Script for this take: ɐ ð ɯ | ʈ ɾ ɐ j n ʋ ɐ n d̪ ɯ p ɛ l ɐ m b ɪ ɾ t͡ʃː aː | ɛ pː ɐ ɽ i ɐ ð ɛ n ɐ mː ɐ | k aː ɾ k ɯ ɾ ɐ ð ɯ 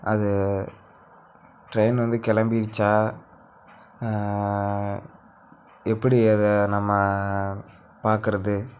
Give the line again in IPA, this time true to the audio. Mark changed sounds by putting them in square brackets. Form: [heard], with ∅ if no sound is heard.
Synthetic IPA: ɐ ð ɯ | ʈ ɾ ɐ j n ʋ ɐ n d̪ ɯ [k] ɛ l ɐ m b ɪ ɾ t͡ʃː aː | ɛ pː ɐ ɽ i ɐ ð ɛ n ɐ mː ɐ | [p] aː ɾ k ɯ ɾ ɐ ð ɯ

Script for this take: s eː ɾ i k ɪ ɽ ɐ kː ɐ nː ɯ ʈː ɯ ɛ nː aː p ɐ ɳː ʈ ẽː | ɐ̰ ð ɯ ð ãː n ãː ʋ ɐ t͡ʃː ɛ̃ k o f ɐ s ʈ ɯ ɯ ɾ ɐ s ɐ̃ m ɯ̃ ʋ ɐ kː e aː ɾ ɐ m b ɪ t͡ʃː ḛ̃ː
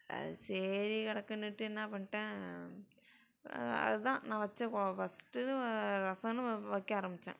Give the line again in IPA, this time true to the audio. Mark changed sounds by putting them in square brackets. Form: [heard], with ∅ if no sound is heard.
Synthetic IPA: s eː ɾ i k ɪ ɽ ɐ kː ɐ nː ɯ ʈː ɯ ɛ nː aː p ɐ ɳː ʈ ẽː | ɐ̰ ð ɯ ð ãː n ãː ʋ ɐ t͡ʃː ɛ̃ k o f ɐ s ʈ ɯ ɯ ɾ ɐ s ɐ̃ [n] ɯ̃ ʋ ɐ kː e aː ɾ ɐ m b ɪ t͡ʃː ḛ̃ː

